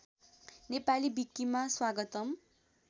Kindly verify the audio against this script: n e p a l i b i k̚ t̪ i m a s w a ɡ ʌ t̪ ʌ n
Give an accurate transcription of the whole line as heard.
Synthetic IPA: n e p a l i b i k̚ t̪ i m a s w a ɡ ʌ t̪ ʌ m